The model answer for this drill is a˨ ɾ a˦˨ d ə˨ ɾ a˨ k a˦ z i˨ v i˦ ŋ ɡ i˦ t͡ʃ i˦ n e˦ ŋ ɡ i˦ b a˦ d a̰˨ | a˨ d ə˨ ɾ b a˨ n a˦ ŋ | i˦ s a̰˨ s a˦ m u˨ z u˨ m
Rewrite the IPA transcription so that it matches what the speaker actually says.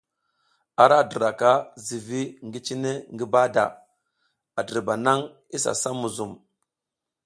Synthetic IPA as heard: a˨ ɾ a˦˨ d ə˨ ɾ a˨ k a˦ z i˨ v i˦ ŋ ɡ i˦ t͡ʃ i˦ n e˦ ŋ ɡ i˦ b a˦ d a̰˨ | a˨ d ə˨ ɾ b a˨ n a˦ ŋ | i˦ s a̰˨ s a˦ m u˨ z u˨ m

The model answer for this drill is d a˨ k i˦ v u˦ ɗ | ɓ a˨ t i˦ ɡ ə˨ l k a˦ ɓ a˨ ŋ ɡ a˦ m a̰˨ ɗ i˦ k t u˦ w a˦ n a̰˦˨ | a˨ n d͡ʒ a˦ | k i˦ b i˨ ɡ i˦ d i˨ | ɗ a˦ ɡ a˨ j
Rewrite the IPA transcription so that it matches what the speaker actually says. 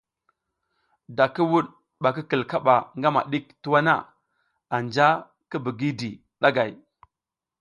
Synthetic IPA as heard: d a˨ k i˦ w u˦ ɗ | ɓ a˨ k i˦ k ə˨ l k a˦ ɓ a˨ ŋ ɡ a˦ m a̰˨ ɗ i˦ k t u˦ w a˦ n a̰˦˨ | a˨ n d͡ʒ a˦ | k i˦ b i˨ ɡ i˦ d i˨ | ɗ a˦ ɡ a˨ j

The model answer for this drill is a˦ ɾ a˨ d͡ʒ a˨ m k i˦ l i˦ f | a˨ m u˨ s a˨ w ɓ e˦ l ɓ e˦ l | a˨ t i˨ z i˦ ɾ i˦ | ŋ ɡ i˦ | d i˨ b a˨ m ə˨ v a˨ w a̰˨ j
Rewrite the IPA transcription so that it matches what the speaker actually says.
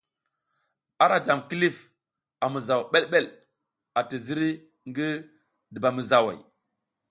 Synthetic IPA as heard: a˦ ɾ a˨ d͡ʒ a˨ m k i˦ l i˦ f | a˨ m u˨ z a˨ w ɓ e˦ l ɓ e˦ l | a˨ t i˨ z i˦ ɾ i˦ | ŋ ɡ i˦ | d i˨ b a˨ m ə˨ z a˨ w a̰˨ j

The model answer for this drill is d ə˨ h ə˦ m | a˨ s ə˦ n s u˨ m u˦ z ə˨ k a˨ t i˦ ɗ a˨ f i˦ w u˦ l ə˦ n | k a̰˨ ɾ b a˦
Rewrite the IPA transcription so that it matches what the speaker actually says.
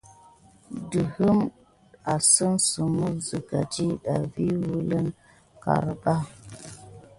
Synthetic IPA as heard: d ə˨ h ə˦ m | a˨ s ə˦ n s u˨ m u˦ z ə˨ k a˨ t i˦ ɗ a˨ v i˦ w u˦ l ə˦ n | k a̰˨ ɾ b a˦

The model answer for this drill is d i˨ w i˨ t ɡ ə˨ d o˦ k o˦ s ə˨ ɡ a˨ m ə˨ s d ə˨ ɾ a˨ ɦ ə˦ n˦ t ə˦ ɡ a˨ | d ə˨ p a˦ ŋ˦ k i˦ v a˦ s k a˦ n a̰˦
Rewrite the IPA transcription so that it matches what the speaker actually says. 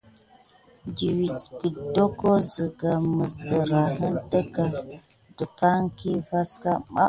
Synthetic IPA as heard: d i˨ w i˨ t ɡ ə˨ d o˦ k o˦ z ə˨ ɡ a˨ m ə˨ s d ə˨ ɾ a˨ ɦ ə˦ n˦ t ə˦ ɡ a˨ | d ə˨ p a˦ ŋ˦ k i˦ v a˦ s k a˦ m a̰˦

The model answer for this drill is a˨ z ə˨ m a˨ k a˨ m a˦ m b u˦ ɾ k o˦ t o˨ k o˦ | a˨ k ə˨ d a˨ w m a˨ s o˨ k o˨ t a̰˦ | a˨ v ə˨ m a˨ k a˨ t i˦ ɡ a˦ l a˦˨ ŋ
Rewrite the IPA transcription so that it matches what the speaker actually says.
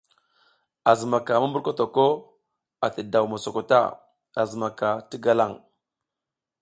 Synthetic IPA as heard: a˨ z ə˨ m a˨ k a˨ m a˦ m b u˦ ɾ k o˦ t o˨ k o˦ | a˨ t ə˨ d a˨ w m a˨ s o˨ k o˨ t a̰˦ | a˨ z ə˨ m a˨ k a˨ t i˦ ɡ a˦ l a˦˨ ŋ

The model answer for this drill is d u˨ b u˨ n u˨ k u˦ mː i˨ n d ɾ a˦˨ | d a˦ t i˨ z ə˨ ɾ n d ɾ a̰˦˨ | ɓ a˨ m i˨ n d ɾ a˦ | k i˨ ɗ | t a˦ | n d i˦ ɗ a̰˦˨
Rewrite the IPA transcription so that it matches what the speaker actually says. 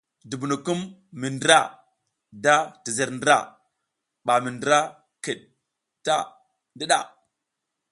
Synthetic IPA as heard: d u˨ b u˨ n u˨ k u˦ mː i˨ n d ɾ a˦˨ | d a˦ t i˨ z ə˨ ɾ n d ɾ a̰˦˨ | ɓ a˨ m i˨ n d ɾ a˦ | k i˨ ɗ | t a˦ | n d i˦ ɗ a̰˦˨

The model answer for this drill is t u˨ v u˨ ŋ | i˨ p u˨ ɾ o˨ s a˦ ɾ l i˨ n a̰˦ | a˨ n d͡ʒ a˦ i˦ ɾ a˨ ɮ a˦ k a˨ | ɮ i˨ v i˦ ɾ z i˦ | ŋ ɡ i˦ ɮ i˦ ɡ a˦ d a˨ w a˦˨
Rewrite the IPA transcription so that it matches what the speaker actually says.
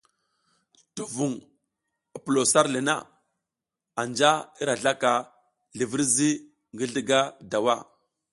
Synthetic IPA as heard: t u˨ v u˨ ŋ | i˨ p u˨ l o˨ s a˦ ɾ l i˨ n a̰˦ | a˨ n d͡ʒ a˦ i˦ ɾ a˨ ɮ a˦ k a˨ | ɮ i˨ v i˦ ɾ z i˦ | ŋ ɡ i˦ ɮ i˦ ɡ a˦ d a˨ w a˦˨

